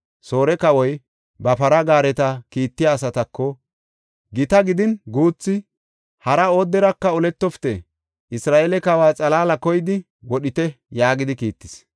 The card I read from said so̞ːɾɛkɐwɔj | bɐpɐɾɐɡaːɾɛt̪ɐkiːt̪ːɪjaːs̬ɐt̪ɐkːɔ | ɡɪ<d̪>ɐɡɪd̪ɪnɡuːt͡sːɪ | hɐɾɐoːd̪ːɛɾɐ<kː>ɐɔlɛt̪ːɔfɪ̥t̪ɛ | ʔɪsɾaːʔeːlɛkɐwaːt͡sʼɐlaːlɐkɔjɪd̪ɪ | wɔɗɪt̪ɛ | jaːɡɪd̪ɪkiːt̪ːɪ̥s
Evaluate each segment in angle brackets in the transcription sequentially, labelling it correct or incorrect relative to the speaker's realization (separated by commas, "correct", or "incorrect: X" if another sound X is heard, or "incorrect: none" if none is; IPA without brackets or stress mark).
incorrect: t̪, correct